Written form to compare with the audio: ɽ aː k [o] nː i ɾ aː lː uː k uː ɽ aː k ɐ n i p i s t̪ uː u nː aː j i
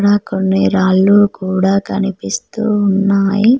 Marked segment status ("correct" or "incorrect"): correct